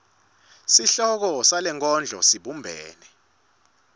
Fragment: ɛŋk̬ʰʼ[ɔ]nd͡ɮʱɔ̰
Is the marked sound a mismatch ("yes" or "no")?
no